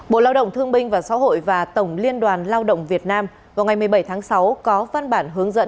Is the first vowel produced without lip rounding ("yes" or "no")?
no